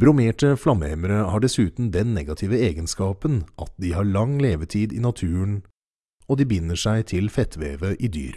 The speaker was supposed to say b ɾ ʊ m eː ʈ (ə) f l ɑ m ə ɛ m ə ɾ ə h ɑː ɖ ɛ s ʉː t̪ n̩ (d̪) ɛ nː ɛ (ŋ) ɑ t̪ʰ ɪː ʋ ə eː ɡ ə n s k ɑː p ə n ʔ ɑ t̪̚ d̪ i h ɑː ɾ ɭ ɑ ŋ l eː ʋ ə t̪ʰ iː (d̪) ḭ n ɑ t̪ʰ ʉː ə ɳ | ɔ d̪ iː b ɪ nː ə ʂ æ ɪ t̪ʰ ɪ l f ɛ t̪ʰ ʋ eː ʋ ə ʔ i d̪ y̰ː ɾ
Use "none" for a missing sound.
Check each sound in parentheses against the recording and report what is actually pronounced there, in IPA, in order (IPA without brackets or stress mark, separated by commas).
ə, d̪, ɡ, d̪